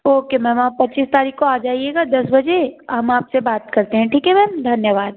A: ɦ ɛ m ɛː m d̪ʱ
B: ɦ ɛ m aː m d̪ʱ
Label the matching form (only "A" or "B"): A